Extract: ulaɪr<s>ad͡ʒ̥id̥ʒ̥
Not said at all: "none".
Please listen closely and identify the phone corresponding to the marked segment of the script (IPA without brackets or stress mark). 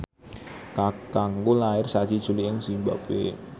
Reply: s